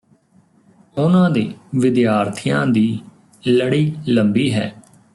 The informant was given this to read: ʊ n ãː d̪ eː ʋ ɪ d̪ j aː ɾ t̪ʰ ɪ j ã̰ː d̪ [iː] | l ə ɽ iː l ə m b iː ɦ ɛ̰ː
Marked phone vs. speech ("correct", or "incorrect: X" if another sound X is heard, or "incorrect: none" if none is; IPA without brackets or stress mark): correct